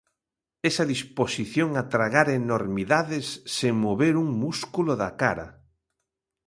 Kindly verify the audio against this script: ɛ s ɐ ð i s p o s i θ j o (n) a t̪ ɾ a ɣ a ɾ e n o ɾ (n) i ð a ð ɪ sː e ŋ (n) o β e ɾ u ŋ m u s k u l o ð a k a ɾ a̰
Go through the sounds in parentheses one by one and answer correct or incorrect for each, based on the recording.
incorrect: ŋ, incorrect: m, incorrect: m

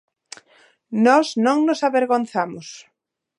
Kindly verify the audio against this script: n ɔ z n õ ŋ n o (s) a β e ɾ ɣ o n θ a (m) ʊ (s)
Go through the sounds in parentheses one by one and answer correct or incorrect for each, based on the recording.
correct, correct, correct

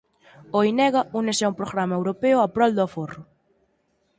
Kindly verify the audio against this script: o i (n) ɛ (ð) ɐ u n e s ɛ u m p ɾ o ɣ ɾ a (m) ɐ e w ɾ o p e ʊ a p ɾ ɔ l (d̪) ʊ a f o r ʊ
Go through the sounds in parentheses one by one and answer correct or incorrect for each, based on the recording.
correct, incorrect: ɣ, correct, correct

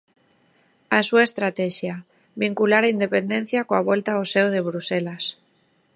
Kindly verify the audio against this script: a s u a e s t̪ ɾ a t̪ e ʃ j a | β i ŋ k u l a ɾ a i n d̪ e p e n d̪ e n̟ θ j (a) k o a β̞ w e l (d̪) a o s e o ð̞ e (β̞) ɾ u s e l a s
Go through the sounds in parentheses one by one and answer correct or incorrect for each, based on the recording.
correct, incorrect: t̪, correct

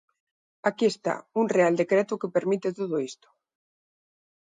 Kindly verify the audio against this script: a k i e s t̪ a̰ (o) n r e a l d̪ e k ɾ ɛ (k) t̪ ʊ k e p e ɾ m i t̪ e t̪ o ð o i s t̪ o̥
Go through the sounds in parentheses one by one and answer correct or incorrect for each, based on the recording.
incorrect: u, incorrect: none

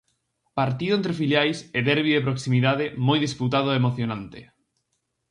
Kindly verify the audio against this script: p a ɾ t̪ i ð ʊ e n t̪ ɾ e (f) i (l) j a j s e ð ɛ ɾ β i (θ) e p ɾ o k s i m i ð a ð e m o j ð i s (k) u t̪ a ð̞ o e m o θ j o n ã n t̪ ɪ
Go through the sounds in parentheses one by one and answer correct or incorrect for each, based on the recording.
correct, correct, incorrect: ð, incorrect: p

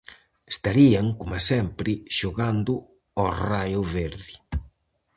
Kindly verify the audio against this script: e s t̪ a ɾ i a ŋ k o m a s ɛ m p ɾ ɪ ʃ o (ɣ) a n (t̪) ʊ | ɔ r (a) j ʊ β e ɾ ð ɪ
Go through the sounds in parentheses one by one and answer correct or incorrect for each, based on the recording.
correct, incorrect: d̪, correct

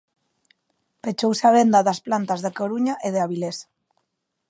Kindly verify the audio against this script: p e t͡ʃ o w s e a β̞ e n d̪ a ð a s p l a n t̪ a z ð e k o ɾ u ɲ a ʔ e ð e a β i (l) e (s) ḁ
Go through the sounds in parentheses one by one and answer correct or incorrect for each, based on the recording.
correct, correct

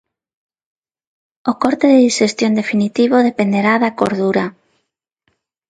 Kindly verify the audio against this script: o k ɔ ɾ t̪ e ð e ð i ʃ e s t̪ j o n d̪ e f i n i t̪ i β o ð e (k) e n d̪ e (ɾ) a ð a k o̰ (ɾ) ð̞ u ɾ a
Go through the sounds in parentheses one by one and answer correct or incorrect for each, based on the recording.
incorrect: p, correct, correct

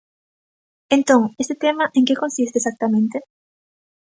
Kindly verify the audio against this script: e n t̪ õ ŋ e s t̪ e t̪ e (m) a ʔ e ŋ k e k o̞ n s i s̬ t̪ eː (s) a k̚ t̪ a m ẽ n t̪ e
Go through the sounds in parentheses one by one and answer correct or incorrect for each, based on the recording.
correct, correct

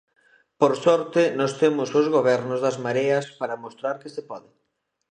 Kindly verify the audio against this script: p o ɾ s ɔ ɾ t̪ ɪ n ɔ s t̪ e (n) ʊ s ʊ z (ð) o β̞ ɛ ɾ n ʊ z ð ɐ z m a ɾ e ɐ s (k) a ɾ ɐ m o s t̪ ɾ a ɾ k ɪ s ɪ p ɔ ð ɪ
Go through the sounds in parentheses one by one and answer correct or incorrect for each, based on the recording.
incorrect: m, incorrect: ɣ, incorrect: p

